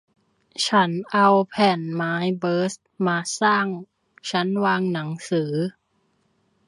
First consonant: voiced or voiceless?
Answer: voiceless